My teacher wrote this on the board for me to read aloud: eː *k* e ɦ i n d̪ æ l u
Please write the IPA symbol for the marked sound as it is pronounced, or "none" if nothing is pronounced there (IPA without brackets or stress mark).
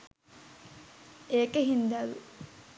k